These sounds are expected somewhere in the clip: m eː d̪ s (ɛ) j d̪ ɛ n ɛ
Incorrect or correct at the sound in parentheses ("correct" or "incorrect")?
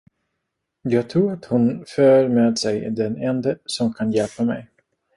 correct